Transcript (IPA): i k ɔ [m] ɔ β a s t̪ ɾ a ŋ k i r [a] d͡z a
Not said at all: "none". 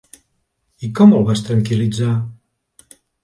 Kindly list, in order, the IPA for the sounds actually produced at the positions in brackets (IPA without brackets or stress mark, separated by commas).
m, i